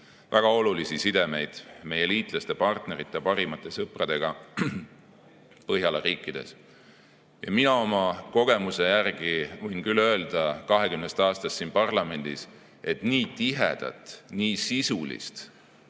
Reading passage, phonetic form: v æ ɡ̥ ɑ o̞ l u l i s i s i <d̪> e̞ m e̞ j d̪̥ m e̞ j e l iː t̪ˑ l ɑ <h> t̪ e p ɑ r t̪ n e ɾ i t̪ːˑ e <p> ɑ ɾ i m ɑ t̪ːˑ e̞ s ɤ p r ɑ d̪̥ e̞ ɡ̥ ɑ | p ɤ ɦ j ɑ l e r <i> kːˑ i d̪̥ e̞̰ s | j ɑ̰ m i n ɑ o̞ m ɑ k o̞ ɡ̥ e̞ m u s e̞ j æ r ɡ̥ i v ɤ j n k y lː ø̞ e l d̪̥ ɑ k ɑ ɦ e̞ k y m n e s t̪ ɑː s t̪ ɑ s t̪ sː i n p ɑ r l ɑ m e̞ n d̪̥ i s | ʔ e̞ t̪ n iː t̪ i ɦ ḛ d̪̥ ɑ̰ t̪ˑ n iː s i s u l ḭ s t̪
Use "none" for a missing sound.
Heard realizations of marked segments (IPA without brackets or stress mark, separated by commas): d̪, s, p, iː